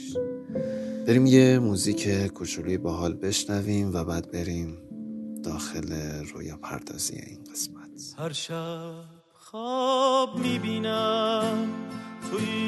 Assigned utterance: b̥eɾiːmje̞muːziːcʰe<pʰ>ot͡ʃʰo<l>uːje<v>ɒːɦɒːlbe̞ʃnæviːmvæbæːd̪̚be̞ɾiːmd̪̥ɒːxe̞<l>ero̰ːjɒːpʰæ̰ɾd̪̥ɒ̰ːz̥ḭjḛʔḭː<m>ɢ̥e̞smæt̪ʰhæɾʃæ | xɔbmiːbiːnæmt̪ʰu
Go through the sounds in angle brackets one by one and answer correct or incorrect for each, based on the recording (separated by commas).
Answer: incorrect, correct, incorrect, correct, incorrect